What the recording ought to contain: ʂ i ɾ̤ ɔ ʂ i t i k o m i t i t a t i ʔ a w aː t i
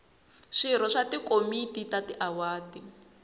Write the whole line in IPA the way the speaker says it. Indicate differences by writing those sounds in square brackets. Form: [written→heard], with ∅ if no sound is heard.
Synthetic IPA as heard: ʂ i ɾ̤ ɔ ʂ [i→a] t i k o m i t i t a t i ʔ a w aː t i